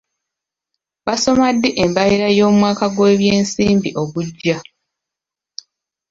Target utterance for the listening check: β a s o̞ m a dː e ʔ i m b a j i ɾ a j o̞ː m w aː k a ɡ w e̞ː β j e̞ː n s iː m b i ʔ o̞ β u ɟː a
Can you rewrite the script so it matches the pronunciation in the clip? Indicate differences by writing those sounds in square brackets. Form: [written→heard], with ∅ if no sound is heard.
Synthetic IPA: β a s o̞ m a dː e ʔ [i→e] m b a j i ɾ a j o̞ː m w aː k a ɡ w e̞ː β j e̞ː n s iː m b i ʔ o̞ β u ɟː a